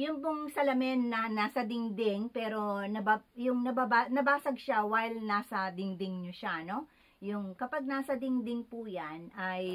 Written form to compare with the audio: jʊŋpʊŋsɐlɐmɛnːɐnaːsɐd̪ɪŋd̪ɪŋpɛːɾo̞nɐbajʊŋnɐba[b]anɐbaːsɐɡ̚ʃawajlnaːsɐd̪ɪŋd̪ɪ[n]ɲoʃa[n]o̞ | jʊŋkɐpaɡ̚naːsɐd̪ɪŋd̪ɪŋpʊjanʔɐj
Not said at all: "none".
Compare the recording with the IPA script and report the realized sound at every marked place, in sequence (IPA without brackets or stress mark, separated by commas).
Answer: b, ŋ, n